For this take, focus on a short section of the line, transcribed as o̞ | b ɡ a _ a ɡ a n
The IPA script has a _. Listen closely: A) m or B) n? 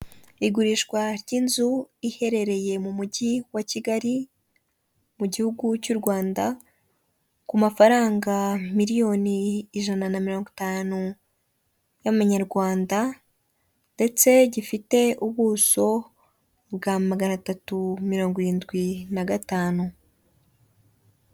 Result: A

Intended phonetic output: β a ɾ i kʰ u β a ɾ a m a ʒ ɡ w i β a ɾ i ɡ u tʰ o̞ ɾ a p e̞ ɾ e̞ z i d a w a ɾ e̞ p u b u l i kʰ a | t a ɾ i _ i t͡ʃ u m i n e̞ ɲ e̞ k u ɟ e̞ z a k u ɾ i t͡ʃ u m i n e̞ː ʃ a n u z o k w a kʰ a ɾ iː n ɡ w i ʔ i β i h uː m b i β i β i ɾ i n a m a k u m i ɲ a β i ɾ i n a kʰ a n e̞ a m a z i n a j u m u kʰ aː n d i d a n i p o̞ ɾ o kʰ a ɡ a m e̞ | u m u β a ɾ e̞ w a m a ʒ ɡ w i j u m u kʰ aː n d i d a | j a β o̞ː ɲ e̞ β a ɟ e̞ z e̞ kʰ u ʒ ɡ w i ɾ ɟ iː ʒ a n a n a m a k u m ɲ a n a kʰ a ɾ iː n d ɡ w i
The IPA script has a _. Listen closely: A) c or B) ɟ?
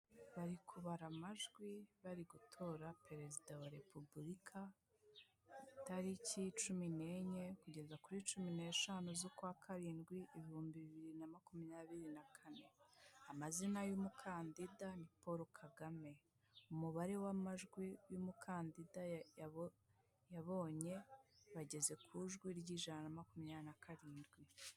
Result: A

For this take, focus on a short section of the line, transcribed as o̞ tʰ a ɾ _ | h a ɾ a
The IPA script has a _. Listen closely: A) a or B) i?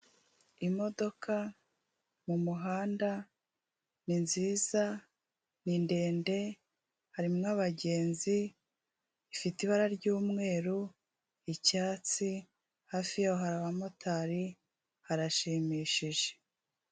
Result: B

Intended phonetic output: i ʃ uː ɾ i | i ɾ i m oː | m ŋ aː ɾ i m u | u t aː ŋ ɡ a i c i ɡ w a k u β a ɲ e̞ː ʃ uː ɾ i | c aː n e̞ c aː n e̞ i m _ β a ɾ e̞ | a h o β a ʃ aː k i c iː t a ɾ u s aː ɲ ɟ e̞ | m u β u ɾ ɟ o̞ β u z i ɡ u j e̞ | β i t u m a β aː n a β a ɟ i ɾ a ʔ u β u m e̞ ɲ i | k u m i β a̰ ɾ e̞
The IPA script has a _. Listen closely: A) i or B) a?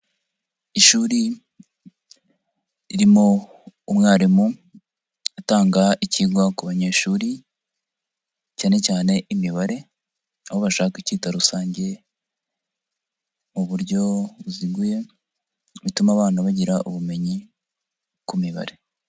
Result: A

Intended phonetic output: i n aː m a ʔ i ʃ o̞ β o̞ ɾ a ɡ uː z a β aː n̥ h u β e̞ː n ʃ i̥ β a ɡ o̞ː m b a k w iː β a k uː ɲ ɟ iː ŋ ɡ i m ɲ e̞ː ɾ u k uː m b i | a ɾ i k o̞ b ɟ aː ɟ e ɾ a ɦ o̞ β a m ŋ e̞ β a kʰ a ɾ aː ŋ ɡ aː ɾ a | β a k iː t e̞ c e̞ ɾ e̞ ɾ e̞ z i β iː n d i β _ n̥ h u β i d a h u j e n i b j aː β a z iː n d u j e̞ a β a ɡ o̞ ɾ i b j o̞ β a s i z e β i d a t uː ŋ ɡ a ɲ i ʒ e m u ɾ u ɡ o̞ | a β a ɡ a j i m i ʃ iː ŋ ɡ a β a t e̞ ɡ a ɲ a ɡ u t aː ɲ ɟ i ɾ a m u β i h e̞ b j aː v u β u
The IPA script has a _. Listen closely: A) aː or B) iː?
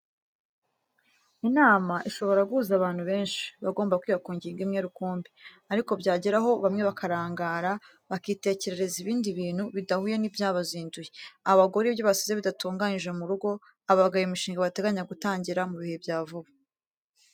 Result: B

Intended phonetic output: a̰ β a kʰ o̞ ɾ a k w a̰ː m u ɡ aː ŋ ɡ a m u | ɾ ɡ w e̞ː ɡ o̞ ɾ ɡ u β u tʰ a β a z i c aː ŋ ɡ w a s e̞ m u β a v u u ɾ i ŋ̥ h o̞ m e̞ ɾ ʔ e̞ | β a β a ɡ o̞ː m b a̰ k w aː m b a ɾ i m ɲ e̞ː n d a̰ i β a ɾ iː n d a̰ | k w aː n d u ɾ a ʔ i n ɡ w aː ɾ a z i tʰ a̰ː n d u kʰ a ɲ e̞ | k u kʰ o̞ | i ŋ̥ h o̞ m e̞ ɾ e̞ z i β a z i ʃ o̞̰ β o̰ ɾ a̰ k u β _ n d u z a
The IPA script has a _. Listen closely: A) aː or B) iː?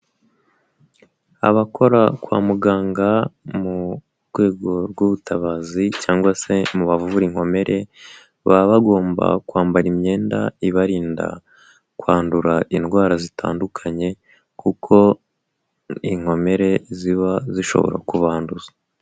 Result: A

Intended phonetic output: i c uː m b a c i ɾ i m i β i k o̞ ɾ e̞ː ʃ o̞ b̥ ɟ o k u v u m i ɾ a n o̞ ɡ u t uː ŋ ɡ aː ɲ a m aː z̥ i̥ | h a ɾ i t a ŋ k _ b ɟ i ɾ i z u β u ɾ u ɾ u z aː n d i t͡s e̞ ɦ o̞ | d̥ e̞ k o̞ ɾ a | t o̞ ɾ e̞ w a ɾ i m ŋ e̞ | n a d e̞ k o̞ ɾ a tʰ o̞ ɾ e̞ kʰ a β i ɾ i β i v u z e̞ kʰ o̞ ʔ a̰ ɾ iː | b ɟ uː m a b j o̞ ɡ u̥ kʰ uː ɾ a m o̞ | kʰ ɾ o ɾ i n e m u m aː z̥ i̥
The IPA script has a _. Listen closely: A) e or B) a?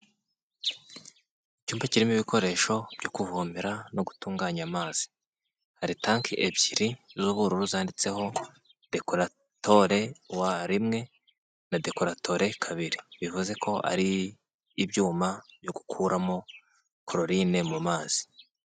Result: A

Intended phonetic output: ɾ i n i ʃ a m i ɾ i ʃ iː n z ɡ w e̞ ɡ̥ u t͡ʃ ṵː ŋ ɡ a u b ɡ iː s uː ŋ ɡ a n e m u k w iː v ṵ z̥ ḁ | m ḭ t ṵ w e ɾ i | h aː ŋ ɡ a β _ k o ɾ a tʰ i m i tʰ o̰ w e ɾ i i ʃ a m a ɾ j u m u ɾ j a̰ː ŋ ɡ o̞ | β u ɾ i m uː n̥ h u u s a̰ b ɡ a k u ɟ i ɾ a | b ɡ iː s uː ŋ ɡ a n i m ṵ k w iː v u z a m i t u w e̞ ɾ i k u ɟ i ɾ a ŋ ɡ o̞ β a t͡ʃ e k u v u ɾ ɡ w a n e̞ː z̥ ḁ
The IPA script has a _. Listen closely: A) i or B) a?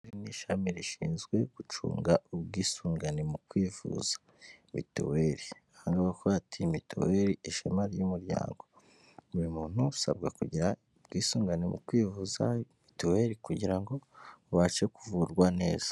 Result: B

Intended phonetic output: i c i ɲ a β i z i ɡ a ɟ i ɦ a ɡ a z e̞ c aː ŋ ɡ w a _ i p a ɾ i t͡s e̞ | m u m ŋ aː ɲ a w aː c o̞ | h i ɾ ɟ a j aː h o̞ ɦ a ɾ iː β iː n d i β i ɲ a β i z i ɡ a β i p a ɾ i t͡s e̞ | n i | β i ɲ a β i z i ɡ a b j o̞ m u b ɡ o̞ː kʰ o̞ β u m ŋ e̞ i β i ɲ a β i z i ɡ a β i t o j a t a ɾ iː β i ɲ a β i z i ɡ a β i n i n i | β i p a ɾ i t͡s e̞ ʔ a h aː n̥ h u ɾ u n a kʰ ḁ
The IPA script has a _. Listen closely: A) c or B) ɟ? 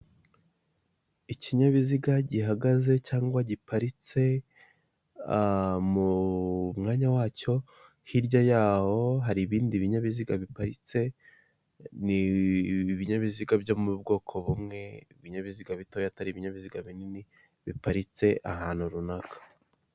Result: B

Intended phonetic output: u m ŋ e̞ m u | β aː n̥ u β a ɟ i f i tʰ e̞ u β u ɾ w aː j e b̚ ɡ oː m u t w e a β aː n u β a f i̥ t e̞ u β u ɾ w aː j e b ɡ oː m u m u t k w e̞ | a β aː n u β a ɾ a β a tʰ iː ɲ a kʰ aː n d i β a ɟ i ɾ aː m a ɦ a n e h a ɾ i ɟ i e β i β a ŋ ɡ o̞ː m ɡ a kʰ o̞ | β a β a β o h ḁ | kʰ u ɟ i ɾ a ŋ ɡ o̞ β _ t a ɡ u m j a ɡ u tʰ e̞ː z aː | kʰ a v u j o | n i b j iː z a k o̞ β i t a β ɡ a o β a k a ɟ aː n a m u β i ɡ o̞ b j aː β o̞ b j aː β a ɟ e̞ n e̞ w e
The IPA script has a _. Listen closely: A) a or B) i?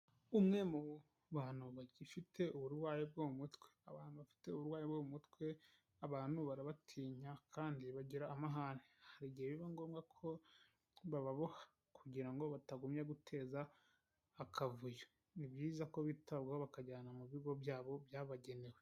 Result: A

